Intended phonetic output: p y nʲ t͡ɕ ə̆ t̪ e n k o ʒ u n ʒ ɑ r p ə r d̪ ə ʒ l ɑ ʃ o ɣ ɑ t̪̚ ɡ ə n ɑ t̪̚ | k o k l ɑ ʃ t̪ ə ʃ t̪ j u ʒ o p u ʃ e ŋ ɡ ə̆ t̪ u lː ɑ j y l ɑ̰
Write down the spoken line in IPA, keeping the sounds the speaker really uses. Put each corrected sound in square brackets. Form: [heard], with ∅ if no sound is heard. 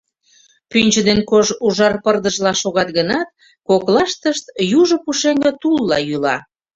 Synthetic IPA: p y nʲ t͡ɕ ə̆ [d̪] e n k o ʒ u [∅] ʒ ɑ r p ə r d̪ ə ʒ l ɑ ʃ o ɣ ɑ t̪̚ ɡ ə n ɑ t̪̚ | k o k l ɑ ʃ t̪ ə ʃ t̪ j u ʒ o p u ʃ e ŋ ɡ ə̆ t̪ u lː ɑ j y l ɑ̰